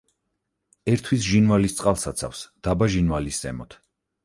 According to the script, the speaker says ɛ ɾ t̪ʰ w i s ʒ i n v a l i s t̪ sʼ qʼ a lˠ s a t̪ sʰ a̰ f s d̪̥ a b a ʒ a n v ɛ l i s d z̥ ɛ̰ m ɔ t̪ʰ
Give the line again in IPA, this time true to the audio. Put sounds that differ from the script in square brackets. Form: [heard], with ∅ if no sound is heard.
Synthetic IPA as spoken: ɛ ɾ t̪ʰ w i s ʒ i n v a l i s t̪ sʼ qʼ a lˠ s a t̪ sʰ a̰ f s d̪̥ a b a ʒ [i] n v [a] l i s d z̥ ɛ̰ m ɔ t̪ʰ

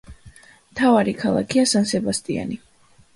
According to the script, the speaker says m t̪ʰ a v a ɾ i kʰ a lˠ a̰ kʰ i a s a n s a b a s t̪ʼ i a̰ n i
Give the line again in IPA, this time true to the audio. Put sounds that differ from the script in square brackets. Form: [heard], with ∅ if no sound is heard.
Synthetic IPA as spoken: m t̪ʰ a v a ɾ i kʰ a lˠ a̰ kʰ i a s a n s [ɛ] b a s t̪ʼ i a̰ n i

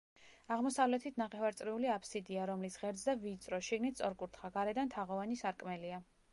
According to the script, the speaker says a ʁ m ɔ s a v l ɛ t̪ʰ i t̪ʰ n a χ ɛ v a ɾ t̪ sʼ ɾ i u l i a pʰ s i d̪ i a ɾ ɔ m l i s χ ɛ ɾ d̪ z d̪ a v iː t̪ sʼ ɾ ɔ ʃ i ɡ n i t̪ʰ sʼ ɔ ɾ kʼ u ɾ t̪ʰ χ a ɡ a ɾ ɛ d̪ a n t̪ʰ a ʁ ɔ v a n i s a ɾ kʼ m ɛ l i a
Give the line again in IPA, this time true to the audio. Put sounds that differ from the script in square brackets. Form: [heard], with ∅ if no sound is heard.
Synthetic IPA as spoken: a ʁ m ɔ s a v l ɛ t̪ʰ i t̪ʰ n a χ ɛ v a ɾ t̪ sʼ ɾ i u l i a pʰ s i d̪ i a ɾ ɔ m l i s [ʁ] ɛ ɾ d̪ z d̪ a v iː t̪ sʼ ɾ ɔ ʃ i ɡ n i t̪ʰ sʼ ɔ ɾ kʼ u ɾ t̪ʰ χ a ɡ a ɾ ɛ d̪ a n t̪ʰ a ʁ ɔ v a n i s a ɾ kʼ m ɛ l i a

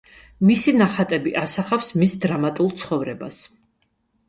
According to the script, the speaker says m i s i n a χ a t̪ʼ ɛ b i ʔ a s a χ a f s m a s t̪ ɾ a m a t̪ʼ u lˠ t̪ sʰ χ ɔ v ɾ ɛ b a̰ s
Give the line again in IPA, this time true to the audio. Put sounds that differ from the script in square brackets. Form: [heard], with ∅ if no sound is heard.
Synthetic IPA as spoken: m i s i n a χ a t̪ʼ ɛ b i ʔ a s a χ a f s m [i] s [d̪] ɾ a m a t̪ʼ u lˠ t̪ sʰ χ ɔ v ɾ ɛ b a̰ s

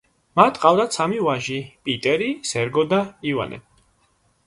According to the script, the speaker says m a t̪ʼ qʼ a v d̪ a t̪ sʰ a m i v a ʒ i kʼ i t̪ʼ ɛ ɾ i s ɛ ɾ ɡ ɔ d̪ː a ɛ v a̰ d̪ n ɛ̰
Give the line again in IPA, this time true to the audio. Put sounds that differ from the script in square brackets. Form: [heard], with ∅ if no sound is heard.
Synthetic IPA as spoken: m a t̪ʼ qʼ a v d̪ a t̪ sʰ a m i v a ʒ i [pʼ] i t̪ʼ ɛ ɾ i s ɛ ɾ ɡ ɔ [d̪] a [i] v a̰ [∅] n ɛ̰

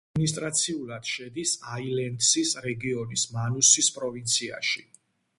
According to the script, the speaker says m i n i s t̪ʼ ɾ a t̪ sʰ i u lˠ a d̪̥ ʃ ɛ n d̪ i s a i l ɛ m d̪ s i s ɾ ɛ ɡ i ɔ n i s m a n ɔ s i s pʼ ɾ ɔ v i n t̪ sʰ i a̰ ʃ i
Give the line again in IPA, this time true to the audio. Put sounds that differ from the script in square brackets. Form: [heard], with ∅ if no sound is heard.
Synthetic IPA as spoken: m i n i s t̪ʼ ɾ a t̪ sʰ i u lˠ a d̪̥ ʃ ɛ [∅] d̪ i s a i l ɛ [n] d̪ s i s ɾ ɛ ɡ i ɔ n i s m a n [u] s i s pʼ ɾ ɔ v i n t̪ sʰ i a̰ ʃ i

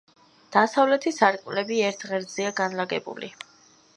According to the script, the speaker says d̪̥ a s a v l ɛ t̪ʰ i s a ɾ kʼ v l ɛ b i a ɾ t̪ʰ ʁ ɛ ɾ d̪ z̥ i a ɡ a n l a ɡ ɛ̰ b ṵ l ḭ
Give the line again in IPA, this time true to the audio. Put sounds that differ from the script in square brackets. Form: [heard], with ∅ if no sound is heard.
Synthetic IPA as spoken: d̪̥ a s a v l ɛ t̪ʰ i s a ɾ kʼ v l ɛ b i [ɛ] ɾ t̪ʰ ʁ ɛ ɾ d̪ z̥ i a ɡ a n l a ɡ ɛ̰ b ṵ l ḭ

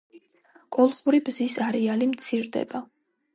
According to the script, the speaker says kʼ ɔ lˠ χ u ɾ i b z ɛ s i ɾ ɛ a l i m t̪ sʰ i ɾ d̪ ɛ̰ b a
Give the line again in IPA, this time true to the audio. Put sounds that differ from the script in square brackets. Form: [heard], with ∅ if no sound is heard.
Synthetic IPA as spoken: kʼ ɔ lˠ χ u ɾ i b z [i] s [a] ɾ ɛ a l i m t̪ sʰ i ɾ d̪ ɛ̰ b a

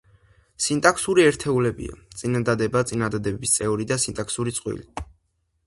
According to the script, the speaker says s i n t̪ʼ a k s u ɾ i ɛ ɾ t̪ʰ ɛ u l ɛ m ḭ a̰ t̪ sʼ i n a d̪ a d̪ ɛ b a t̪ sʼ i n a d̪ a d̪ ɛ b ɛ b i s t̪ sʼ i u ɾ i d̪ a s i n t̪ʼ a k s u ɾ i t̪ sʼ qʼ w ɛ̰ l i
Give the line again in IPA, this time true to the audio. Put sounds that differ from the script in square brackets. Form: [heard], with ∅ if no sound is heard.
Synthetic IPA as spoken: s i n t̪ʼ a k s u ɾ i ɛ ɾ t̪ʰ ɛ u l ɛ [b] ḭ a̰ t̪ sʼ i n a d̪ a d̪ ɛ b a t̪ sʼ i n a d̪ a d̪ ɛ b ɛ b i s t̪ sʼ [ɛ] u ɾ i d̪ a s i n t̪ʼ a k s u ɾ i t̪ sʼ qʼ w [ḭ] l i

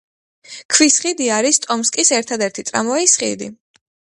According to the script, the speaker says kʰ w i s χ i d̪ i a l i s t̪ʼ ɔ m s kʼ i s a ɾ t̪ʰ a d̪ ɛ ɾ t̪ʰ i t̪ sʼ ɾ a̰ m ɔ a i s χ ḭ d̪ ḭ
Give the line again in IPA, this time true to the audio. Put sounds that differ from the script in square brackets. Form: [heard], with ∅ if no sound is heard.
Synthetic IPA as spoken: kʰ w i s χ i d̪ i a [ɾ] i s t̪ʼ ɔ m s kʼ i s [ɛ] ɾ t̪ʰ a d̪ ɛ ɾ t̪ʰ i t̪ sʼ ɾ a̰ m ɔ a i s χ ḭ d̪ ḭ

